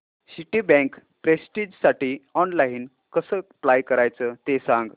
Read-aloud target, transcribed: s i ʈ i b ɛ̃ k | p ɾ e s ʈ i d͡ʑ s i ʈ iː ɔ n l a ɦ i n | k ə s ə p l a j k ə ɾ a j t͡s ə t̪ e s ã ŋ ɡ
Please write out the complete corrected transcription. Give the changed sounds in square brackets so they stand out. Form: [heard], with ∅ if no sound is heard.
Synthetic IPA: s i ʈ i b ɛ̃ k | p ɾ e s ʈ i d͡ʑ s [a] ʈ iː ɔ n l a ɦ i n | k ə s ə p l a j k ə ɾ a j t͡s ə t̪ e s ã ŋ ɡ